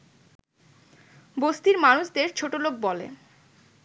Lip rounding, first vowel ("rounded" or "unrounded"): rounded